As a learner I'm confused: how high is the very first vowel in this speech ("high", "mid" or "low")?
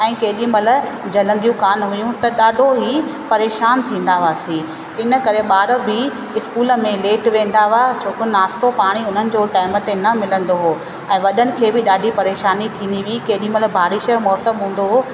mid